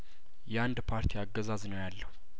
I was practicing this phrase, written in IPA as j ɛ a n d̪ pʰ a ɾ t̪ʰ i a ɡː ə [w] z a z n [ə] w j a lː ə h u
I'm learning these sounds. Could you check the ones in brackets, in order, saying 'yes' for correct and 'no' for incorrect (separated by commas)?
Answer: no, yes